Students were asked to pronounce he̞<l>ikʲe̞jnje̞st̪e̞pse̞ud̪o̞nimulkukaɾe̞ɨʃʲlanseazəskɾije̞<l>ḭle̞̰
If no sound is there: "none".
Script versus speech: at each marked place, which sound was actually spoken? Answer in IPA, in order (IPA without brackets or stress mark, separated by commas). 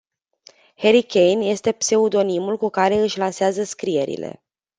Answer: ɾ, ɾ